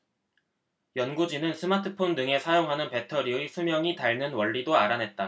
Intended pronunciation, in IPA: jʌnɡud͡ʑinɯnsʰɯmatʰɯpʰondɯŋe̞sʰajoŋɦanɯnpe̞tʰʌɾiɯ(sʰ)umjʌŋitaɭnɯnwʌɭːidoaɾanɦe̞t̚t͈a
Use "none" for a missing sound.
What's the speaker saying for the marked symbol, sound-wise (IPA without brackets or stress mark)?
sʰ